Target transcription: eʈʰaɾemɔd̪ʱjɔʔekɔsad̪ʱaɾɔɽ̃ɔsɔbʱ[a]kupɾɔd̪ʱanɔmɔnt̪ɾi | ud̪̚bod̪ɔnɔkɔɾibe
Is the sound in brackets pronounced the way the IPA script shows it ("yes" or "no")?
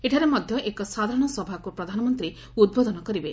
yes